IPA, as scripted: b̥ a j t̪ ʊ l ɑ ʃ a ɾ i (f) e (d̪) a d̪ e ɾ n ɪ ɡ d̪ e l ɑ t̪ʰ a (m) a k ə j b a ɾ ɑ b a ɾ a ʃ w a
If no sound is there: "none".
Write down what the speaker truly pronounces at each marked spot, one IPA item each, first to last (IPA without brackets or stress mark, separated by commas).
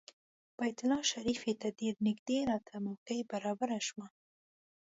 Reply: f, t̪, m